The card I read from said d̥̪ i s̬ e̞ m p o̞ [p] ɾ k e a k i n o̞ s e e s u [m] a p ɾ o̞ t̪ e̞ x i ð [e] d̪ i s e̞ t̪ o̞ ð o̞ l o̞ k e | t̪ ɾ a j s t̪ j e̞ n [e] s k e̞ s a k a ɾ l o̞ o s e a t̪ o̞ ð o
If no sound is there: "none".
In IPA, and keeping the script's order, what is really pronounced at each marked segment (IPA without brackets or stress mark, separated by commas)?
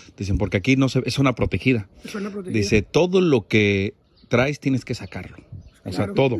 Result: none, n, a, e